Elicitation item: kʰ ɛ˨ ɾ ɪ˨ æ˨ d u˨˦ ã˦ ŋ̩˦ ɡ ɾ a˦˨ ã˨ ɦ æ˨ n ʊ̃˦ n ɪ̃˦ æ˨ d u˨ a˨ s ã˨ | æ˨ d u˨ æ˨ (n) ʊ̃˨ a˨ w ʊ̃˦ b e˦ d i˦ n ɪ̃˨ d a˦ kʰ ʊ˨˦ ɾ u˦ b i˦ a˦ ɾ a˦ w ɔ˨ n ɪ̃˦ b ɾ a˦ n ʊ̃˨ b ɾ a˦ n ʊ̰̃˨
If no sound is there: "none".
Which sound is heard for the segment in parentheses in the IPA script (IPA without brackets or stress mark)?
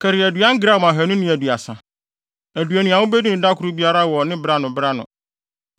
n